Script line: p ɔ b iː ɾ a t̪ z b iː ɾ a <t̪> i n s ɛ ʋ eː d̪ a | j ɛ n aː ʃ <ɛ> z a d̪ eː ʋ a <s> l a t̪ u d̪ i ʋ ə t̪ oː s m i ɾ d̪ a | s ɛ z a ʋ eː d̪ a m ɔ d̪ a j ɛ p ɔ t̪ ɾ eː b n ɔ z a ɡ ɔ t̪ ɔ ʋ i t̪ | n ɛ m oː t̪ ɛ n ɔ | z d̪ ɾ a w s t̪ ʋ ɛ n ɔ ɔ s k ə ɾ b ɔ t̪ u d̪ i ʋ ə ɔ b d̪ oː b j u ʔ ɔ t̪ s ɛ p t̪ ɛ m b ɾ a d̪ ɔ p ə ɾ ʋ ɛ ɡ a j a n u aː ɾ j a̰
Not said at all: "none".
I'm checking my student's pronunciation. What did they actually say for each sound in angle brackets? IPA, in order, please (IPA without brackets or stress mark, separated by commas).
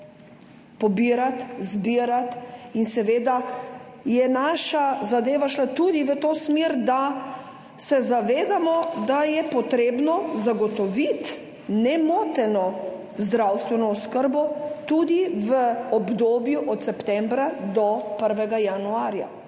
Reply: t̪, a, ʃ